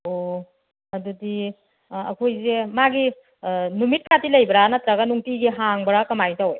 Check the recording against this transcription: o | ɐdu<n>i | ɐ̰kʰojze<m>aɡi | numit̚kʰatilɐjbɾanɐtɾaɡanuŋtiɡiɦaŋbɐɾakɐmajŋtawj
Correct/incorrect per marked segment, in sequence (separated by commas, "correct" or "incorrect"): incorrect, correct